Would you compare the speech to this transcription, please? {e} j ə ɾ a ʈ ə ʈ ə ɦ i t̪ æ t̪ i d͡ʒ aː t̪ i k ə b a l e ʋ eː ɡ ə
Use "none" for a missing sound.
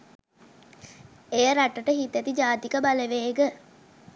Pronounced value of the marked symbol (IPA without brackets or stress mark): e